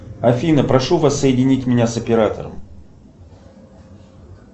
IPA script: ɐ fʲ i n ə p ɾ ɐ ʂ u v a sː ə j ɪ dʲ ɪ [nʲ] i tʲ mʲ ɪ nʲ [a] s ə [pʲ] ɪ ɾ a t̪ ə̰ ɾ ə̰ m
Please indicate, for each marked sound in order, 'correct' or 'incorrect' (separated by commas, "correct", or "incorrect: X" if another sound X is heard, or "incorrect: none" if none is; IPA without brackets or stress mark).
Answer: correct, correct, correct